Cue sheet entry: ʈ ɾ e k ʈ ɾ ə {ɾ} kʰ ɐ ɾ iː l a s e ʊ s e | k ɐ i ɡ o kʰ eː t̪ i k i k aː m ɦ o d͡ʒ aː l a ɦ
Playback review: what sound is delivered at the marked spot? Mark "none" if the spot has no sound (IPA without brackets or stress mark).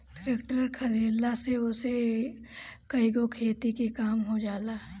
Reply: ɾ